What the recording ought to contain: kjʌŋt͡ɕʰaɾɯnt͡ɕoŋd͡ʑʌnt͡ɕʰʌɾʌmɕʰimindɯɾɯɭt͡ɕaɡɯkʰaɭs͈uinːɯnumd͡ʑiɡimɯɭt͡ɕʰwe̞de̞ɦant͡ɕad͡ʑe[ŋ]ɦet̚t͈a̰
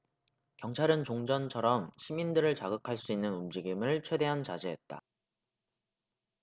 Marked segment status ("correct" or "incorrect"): incorrect